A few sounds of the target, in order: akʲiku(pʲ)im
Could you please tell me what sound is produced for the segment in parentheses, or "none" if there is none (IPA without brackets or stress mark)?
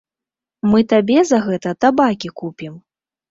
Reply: pʲ